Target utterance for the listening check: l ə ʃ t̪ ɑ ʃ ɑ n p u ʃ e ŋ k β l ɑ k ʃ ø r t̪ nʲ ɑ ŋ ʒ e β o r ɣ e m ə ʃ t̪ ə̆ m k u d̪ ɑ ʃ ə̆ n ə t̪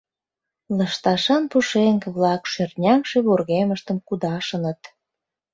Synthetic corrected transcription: l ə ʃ t̪ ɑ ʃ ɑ n p u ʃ e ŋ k β l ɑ k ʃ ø r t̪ nʲ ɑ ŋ ʃ e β o r ɣ e m ə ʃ t̪ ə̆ m k u d̪ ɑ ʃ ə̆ n ə t̪